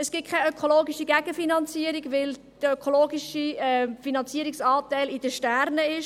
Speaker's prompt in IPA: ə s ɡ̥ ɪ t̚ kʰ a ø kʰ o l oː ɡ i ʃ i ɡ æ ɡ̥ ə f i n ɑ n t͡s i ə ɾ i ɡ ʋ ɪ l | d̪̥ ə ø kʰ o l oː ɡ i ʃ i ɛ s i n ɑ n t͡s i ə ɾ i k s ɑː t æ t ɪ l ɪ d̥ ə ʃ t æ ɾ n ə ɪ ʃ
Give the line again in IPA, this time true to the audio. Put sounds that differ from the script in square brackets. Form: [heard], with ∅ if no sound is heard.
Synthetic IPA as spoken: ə s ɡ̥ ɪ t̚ kʰ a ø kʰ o l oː ɡ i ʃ i ɡ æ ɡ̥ ə f i n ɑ n t͡s i ə ɾ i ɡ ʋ ɪ l | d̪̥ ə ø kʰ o l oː ɡ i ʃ i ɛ [f] i n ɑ n t͡s i ə ɾ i k s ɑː t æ [∅] ɪ l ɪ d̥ ə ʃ t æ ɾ n ə ɪ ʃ